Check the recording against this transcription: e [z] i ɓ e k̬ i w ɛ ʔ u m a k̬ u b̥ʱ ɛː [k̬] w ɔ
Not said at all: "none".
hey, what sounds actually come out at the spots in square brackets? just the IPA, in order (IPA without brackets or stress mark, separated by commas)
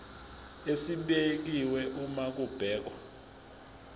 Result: s, k̬